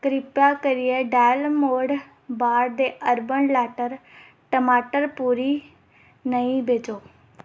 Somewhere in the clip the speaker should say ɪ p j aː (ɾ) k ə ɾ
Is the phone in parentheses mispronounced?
yes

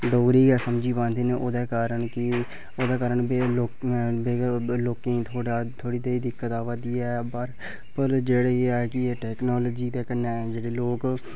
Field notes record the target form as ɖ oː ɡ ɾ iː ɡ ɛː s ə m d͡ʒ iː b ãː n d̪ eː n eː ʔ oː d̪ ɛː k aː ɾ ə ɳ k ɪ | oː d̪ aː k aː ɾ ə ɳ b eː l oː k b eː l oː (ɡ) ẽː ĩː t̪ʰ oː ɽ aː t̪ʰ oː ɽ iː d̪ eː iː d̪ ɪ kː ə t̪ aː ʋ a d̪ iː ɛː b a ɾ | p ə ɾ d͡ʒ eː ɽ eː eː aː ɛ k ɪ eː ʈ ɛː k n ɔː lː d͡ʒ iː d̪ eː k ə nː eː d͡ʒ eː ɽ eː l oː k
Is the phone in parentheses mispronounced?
yes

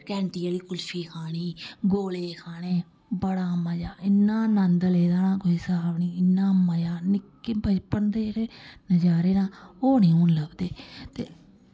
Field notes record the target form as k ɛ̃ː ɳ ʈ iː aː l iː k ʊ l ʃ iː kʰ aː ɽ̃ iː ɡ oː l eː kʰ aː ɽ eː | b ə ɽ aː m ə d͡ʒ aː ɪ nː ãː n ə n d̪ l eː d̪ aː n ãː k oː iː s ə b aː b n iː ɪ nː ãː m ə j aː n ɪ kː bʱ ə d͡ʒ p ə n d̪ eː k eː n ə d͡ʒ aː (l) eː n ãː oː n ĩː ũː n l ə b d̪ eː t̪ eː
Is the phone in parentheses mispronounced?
yes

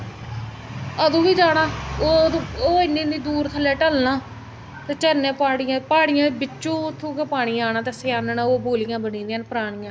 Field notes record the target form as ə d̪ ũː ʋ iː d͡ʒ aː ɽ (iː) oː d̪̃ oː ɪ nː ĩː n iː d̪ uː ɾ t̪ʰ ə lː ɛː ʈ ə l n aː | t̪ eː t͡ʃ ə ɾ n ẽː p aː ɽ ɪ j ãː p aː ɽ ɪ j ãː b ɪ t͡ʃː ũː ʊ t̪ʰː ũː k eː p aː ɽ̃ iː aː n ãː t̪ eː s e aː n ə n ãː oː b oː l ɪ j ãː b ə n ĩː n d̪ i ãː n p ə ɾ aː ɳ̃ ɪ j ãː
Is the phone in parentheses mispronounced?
yes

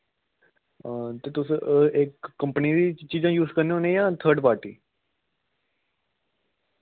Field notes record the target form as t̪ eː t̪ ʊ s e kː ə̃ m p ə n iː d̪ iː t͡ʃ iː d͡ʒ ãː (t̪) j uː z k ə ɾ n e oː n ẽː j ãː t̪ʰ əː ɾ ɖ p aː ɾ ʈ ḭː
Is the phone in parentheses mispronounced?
yes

